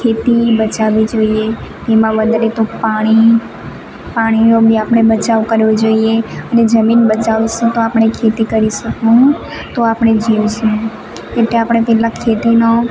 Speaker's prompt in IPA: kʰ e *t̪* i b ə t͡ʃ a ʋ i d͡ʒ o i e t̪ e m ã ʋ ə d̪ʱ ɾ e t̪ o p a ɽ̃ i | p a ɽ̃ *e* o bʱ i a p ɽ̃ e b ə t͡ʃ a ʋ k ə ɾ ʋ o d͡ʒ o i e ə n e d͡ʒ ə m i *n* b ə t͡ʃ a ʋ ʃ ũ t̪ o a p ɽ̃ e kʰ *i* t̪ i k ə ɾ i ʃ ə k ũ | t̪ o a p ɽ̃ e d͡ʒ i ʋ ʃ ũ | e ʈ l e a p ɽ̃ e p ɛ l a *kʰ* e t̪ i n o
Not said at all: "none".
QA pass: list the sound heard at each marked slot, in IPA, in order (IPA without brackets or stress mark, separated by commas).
t̪, i, n, e, kʰ